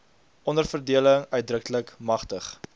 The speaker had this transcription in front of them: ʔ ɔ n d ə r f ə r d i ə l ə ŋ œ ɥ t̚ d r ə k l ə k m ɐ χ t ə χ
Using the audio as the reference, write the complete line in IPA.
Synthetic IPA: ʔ ɔ n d ə r f ə r d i ə l ə ŋ œ ɥ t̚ d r ə k l ə k m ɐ χ t ə χ